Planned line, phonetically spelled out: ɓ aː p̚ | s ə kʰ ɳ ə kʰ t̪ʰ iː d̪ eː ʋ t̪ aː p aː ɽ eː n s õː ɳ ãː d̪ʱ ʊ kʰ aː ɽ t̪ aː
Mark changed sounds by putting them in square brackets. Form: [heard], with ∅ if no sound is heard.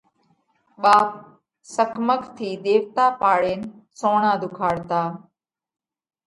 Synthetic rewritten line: ɓ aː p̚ | s ə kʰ [m] ə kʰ t̪ʰ iː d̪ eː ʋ t̪ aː p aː ɽ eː n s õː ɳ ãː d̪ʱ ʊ kʰ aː ɽ t̪ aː